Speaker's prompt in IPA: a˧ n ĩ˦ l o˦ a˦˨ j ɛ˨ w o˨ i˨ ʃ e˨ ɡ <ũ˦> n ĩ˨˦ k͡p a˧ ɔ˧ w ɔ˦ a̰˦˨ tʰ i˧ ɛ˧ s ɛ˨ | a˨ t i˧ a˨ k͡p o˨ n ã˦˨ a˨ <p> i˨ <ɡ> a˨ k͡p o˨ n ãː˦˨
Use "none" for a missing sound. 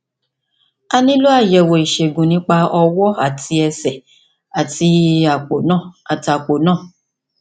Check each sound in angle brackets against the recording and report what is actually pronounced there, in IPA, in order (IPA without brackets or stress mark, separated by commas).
ũ˨, t, none